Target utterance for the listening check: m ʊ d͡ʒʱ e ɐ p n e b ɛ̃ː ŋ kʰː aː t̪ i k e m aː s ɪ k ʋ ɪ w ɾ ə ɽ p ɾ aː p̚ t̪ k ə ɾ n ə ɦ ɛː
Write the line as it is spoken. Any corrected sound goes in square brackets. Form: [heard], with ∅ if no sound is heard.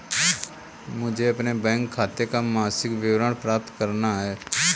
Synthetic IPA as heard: m ʊ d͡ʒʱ e ɐ p n e b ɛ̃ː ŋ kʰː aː t̪ [e] k [a] m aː s ɪ k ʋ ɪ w ɾ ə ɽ p ɾ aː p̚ t̪ k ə ɾ n [a] ɦ ɛː